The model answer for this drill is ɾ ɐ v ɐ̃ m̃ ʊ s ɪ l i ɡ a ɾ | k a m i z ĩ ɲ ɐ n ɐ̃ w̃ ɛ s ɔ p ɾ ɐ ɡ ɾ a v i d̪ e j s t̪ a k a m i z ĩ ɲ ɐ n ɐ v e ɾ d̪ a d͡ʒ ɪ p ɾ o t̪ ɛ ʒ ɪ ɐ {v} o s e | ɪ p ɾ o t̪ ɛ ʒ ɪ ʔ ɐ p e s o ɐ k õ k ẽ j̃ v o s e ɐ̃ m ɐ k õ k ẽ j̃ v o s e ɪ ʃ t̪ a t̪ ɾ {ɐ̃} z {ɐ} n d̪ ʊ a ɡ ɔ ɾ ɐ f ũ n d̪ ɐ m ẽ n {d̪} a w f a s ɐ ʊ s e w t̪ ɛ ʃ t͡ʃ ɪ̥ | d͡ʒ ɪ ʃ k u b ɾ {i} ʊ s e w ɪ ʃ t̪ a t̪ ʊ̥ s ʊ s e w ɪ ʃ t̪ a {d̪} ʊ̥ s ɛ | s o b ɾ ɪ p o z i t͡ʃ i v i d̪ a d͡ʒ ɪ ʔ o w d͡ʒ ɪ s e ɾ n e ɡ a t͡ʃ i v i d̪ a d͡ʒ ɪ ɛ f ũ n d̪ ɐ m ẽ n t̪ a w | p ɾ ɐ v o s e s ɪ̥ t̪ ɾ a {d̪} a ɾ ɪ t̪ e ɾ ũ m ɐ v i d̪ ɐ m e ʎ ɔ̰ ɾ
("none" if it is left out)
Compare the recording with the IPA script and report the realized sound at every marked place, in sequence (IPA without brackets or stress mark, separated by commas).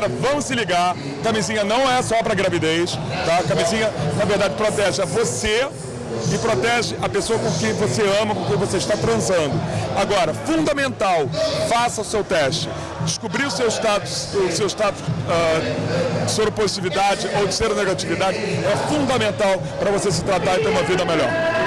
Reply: v, ɐ̃, ɐ̃, t̪, i, t̪, t̪